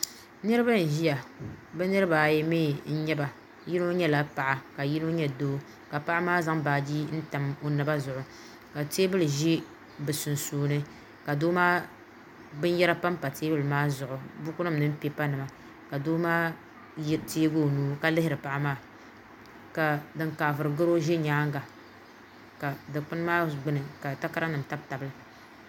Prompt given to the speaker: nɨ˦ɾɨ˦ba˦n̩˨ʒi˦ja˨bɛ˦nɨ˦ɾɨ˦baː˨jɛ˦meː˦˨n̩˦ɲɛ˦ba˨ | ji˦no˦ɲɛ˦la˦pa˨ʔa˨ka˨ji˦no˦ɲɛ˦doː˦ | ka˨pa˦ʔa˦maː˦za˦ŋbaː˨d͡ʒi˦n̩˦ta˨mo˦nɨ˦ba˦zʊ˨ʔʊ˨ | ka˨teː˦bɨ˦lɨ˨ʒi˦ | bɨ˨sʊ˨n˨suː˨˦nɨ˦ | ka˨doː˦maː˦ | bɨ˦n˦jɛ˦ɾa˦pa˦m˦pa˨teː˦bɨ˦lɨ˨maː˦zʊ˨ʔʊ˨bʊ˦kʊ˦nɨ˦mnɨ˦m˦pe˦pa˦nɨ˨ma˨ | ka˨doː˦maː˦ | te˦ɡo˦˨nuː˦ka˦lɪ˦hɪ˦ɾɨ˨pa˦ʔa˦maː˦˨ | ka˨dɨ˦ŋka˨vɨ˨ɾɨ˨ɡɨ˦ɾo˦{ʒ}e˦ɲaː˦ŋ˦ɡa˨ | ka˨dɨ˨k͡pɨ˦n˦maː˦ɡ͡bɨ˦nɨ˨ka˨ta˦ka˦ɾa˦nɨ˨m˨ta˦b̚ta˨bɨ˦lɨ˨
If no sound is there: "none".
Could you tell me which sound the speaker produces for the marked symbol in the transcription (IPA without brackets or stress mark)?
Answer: ʒ